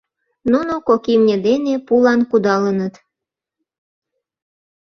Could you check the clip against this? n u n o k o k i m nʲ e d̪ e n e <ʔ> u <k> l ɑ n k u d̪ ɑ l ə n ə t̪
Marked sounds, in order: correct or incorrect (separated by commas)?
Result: incorrect, incorrect